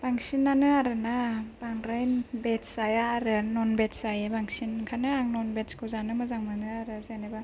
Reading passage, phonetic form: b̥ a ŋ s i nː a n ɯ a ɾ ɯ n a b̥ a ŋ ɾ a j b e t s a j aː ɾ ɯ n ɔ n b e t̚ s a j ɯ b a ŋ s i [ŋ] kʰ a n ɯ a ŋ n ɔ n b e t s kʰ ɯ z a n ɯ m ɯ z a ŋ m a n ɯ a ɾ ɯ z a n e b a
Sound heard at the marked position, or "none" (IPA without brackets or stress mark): n